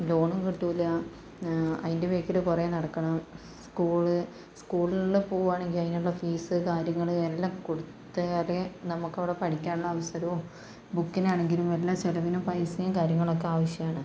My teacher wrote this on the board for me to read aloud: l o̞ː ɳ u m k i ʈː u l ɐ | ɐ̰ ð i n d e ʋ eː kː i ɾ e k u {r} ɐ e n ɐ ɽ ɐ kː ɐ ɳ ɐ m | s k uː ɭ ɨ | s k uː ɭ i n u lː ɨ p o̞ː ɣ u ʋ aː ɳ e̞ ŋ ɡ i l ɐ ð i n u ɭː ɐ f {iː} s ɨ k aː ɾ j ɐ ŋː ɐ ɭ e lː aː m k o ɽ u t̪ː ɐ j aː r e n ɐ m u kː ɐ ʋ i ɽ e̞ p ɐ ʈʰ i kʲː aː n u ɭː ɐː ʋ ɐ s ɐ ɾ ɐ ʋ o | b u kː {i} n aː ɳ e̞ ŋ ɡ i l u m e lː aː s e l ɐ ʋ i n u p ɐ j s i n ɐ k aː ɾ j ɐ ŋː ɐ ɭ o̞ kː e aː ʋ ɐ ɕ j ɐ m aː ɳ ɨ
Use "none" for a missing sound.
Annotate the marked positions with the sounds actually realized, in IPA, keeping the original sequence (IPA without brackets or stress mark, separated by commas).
r, iː, i